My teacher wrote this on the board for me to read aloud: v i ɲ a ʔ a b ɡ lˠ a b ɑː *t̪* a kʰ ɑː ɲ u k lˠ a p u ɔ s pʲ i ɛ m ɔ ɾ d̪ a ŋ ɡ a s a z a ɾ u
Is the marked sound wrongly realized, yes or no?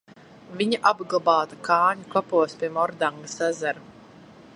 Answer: no